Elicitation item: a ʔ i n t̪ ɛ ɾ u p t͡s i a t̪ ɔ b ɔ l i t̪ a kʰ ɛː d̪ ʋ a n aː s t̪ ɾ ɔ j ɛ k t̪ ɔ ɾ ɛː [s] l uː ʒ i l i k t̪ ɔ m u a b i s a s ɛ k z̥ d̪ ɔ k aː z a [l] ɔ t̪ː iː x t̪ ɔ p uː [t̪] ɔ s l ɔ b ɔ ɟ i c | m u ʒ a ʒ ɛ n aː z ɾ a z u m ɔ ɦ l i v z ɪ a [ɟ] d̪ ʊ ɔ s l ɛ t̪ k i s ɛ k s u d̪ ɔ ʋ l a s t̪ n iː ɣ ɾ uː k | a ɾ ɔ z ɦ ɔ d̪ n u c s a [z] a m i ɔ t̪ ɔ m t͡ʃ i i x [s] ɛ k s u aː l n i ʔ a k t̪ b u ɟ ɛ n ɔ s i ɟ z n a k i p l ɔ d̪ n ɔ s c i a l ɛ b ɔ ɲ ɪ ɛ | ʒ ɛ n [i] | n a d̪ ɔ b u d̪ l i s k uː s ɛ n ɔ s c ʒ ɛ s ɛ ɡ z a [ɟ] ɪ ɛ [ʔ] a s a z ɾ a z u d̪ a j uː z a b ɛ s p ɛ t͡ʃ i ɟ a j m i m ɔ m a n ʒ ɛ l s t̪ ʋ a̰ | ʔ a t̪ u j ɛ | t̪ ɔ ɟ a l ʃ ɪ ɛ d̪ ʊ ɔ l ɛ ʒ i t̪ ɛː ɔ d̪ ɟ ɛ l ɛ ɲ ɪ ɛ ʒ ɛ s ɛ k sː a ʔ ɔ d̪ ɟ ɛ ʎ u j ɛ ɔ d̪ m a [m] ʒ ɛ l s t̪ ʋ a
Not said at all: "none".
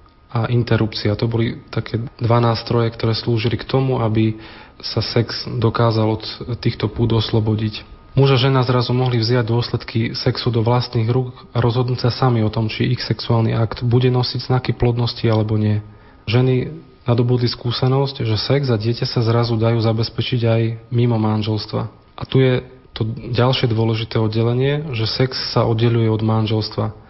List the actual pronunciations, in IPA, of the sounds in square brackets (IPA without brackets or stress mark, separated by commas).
s, l, d̪, ɟ, s, s, i, ɟ, c, n